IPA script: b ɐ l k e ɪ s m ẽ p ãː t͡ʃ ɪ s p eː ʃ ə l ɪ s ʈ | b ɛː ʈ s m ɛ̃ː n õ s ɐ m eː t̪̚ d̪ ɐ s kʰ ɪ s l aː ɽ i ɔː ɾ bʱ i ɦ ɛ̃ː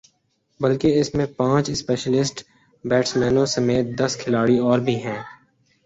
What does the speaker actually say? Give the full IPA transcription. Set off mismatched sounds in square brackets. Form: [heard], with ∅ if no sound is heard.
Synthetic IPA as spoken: b ɐ l k e ɪ s m ẽ p ãː t͡ʃ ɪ s p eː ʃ ə l ɪ s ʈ | b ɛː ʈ s m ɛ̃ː n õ s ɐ m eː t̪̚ d̪ ɐ s kʰ ɪ [∅] l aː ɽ i ɔː ɾ bʱ i ɦ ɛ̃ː